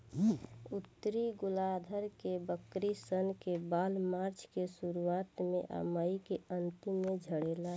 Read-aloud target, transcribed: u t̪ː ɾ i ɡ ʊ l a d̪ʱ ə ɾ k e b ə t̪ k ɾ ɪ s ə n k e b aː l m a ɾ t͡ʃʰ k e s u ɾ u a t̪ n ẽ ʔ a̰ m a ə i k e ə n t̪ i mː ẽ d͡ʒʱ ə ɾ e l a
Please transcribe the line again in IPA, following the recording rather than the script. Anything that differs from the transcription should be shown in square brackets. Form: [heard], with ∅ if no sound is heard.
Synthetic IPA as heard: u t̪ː ɾ i ɡ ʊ l a d̪ʱ ə ɾ k e b ə [∅] k ɾ [i] s ə n k e b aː l m a ɾ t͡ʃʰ k e s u ɾ u a t̪ [m] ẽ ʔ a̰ m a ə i k e ə n t̪ i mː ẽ d͡ʒʱ ə [ɽ] e l a

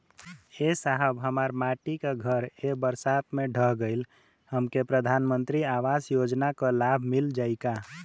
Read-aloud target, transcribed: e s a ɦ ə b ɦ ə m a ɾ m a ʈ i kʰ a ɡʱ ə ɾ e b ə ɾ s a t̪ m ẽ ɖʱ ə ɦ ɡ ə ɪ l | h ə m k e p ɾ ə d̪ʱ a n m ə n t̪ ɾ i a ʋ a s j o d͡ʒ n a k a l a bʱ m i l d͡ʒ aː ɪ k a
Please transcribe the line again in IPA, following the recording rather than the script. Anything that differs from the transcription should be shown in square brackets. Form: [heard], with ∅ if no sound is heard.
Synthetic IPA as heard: e s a ɦ ə b ɦ ə m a ɾ m a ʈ i [k] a ɡʱ ə ɾ e b ə ɾ s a t̪ m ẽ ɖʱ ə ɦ ɡ ə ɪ l | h ə m k e p ɾ ə d̪ʱ a n m ə n t̪ ɾ i a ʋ a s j o d͡ʒ n a k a l a bʱ m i l d͡ʒ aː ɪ k a

